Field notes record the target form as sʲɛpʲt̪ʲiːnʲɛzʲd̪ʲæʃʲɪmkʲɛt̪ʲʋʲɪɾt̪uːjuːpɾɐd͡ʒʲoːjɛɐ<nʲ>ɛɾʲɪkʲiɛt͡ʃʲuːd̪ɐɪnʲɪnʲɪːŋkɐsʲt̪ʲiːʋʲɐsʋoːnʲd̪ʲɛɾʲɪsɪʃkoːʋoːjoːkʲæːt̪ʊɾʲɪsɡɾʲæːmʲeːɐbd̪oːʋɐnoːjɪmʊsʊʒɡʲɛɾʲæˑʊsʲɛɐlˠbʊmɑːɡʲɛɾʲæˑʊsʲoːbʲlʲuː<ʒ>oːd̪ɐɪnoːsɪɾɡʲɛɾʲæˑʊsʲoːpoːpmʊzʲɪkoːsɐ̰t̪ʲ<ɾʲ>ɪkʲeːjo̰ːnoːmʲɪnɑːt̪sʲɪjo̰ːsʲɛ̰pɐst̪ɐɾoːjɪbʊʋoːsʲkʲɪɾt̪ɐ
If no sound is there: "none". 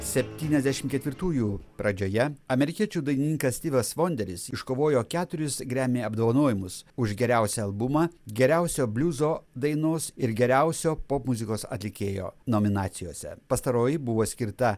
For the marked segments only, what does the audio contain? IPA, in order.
mʲ, z, lʲ

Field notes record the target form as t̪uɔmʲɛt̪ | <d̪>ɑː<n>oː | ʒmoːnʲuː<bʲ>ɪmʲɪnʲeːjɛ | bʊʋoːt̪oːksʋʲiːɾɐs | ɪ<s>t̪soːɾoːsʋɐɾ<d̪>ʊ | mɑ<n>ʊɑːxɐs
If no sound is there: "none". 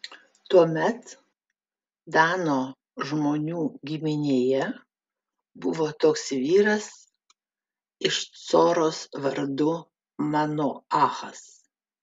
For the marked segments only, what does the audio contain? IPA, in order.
d̪, n, ɡʲ, ʃ, d̪, n

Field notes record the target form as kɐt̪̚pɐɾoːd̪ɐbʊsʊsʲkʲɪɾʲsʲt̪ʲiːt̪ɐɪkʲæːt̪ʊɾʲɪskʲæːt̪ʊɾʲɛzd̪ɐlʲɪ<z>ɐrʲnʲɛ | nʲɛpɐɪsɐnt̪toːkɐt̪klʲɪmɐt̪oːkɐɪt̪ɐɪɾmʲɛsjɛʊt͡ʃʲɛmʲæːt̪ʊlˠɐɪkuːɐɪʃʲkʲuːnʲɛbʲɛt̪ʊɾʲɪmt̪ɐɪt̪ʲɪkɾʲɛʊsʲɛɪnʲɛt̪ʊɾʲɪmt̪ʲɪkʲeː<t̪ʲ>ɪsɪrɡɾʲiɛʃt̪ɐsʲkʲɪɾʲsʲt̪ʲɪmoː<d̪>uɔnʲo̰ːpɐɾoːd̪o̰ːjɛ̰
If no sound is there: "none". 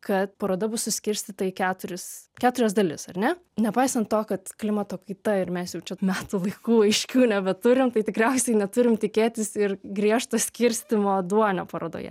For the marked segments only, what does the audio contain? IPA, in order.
s, t̪ʲ, d̪

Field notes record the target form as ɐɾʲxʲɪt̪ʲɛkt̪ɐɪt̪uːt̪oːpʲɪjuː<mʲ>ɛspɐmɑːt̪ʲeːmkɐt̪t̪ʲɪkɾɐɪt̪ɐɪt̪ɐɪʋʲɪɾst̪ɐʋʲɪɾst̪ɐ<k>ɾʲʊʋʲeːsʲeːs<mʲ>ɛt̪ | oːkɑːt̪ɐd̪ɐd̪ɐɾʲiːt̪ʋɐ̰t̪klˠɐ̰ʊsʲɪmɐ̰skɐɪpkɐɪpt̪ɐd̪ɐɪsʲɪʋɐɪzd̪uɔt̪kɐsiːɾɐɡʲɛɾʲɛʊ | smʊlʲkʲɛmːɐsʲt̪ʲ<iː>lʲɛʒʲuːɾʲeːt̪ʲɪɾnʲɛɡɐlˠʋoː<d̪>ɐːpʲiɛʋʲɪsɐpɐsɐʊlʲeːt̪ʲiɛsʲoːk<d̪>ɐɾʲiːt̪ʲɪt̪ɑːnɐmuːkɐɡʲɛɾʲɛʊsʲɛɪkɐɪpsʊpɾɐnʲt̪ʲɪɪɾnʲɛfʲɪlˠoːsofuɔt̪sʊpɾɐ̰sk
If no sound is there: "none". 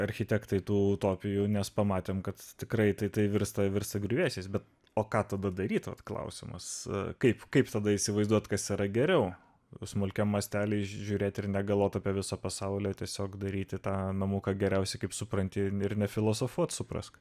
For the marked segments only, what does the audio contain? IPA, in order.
nʲ, ɡ, bʲ, æː, t̪, d̪

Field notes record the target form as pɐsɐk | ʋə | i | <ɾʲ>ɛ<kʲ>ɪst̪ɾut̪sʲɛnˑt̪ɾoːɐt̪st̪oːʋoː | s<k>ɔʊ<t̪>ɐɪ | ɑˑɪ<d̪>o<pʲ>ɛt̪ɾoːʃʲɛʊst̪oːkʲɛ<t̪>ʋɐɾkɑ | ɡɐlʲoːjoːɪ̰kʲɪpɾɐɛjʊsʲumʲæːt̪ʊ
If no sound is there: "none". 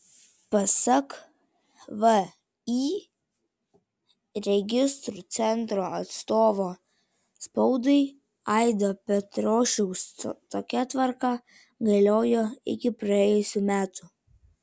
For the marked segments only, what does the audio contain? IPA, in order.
ɾʲ, ɡʲ, p, d̪, d̪, pʲ, t̪

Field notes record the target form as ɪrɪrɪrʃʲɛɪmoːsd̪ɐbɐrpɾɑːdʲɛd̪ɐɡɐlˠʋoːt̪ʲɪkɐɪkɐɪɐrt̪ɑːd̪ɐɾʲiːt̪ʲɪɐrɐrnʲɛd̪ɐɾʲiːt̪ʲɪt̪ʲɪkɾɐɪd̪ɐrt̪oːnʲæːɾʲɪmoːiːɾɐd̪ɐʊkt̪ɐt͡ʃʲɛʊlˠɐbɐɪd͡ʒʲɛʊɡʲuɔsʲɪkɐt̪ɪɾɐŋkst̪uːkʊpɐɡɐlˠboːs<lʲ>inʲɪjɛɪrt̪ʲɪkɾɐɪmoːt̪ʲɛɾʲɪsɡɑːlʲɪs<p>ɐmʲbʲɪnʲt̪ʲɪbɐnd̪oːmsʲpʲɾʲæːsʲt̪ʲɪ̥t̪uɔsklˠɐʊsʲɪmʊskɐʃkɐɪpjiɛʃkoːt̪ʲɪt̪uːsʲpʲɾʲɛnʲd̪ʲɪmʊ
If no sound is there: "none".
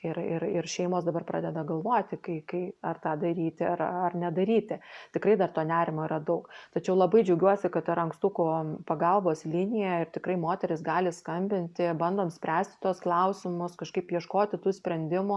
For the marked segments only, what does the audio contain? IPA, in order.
lʲ, k

